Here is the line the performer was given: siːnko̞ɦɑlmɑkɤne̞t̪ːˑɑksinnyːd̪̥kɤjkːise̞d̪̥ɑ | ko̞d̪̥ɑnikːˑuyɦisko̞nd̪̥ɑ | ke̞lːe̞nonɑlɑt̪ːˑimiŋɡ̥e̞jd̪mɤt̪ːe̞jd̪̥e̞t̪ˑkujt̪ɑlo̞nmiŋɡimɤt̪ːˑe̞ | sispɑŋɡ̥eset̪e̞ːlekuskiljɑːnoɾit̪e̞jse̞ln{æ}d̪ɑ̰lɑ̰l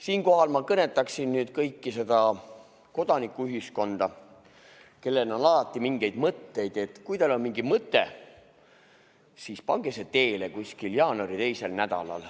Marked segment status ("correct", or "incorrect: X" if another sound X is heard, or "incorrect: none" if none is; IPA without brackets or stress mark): correct